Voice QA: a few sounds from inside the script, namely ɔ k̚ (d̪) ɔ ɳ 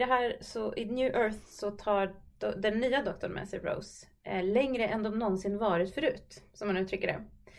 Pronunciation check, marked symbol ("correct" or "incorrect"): incorrect